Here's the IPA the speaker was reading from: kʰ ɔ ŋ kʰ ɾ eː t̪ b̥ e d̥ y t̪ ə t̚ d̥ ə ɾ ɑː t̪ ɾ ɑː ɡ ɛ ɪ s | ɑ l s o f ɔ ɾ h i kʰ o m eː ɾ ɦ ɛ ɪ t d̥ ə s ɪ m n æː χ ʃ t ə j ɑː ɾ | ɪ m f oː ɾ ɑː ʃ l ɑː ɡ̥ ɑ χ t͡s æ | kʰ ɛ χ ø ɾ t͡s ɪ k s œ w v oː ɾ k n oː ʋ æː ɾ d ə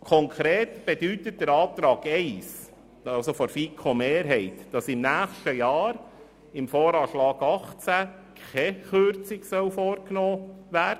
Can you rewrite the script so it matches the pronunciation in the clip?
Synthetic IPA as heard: kʰ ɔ ŋ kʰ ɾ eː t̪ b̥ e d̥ y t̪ ə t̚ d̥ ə ɾ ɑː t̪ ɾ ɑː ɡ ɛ ɪ s | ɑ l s o f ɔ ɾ f i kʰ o m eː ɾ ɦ ɛ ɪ t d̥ ɑ s ɪ m n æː χ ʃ t ə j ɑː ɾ | ɪ m f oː ɾ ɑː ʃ l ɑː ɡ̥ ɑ χ t͡s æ | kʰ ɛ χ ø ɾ t͡s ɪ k s œ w f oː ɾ k n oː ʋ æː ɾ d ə